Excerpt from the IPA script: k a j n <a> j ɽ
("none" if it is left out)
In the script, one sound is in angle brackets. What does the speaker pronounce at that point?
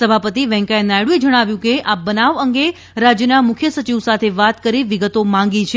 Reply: a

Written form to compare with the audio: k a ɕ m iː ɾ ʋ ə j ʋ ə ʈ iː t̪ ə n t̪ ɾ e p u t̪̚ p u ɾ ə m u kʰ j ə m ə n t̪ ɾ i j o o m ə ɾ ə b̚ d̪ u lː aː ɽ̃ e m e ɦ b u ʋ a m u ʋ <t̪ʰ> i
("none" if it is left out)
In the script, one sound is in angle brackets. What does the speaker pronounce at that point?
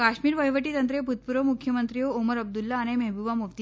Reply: t̪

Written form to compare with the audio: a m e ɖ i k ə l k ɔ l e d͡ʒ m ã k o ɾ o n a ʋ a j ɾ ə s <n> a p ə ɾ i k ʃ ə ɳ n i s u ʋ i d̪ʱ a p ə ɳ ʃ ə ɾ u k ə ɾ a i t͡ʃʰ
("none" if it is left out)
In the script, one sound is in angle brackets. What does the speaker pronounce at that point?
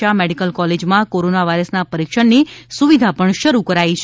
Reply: n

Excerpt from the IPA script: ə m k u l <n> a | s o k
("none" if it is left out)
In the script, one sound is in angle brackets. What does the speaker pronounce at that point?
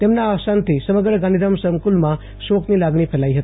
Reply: m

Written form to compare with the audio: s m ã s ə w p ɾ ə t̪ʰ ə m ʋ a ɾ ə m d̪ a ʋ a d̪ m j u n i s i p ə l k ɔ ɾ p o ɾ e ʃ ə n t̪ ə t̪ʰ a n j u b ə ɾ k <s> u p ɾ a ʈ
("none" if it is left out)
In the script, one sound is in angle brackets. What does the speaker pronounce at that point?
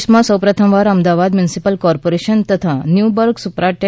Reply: s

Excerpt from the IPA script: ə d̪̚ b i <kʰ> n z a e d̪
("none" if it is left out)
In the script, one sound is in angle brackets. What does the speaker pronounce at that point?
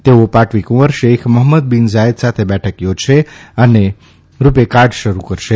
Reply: none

